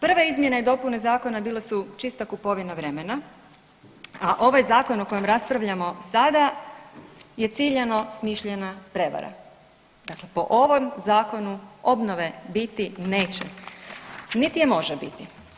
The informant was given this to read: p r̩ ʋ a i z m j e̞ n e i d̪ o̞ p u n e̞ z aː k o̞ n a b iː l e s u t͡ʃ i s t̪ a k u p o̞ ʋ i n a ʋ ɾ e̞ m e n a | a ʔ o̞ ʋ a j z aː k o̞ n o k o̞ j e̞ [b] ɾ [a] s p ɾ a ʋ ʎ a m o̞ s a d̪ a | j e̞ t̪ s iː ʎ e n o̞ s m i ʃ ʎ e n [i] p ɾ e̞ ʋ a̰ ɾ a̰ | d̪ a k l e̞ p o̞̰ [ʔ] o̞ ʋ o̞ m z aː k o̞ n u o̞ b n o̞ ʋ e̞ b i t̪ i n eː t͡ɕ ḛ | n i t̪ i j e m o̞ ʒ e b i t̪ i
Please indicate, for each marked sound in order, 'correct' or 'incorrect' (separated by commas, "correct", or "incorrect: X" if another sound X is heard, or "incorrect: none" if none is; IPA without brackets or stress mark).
incorrect: m, correct, incorrect: a, correct